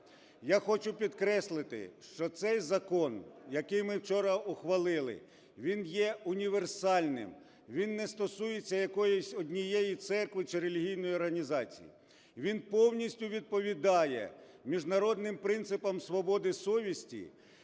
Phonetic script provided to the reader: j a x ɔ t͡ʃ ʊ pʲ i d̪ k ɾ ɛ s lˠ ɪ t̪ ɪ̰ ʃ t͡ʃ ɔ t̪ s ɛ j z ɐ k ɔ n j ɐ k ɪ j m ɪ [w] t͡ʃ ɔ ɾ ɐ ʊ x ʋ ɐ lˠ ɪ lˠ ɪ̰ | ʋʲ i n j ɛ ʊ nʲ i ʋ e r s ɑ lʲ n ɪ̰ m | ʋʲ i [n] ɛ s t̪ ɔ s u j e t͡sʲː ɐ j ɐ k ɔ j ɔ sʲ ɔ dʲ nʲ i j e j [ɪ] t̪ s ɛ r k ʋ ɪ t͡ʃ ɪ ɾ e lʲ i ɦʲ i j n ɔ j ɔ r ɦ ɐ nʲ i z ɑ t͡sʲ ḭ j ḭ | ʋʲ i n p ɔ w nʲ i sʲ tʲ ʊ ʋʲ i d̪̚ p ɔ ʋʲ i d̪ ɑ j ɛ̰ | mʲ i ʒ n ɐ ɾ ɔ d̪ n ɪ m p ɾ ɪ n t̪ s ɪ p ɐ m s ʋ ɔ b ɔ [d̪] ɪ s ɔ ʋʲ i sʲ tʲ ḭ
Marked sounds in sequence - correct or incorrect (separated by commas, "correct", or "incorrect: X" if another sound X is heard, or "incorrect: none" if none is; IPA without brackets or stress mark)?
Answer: correct, incorrect: nː, incorrect: i, correct